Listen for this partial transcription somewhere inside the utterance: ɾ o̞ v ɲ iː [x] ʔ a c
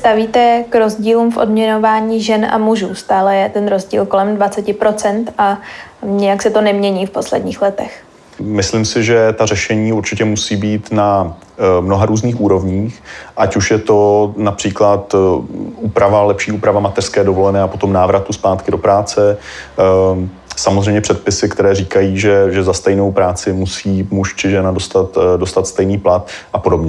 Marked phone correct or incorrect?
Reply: correct